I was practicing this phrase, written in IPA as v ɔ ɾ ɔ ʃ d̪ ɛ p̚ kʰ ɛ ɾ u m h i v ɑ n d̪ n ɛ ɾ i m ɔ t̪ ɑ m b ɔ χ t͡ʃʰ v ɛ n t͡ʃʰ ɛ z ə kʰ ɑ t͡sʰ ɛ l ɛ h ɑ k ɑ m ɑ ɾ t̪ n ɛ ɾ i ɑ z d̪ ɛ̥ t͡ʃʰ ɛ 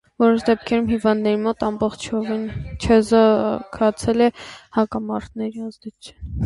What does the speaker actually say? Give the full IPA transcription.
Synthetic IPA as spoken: v ɔ ɾ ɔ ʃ d̪ ɛ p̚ kʰ ɛ ɾ u m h i v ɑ n d̪ n ɛ ɾ i m ɔ t̪ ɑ m b ɔ χ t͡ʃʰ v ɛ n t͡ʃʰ ɛ z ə kʰ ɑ t͡sʰ ɛ l ɛ h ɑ k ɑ m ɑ ɾ t̪ n ɛ ɾ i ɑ z d̪ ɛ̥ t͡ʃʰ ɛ